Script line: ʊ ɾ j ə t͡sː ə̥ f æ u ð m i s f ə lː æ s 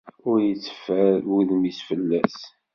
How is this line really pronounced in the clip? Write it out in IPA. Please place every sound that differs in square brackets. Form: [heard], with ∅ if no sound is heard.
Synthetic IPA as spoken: ʊ ɾ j ə t͡sː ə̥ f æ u ð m i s f ə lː æ s

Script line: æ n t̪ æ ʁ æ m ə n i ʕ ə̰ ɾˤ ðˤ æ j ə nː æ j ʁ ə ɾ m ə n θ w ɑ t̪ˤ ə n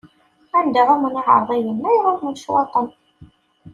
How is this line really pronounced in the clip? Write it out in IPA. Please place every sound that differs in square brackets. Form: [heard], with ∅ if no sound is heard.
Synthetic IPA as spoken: æ n [d̪] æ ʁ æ m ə n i ʕ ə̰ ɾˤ ðˤ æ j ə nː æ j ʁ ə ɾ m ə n [ʃ] w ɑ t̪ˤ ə n

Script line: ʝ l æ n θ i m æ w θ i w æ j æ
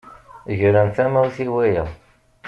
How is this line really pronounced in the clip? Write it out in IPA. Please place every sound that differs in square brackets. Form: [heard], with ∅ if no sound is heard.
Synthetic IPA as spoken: ʝ [ɾ] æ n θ [æ] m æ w θ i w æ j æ

